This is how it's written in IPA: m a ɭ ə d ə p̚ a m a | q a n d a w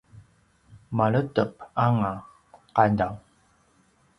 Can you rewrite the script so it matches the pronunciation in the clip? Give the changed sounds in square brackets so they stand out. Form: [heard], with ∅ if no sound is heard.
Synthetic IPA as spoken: m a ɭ ə [t] ə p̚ a [ŋ] a | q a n d a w